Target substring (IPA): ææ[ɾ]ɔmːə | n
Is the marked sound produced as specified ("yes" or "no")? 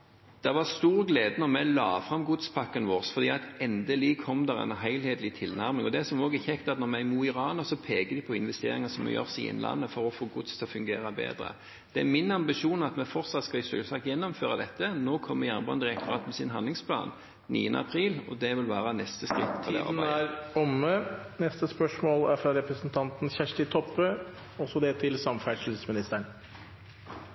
yes